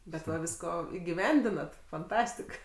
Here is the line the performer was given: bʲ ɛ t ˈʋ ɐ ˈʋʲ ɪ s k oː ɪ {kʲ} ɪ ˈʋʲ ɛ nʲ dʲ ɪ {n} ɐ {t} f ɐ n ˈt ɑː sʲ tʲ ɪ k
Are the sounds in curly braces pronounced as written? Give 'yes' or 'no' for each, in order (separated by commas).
no, yes, yes